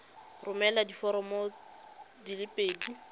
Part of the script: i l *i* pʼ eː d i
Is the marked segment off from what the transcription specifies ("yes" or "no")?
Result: yes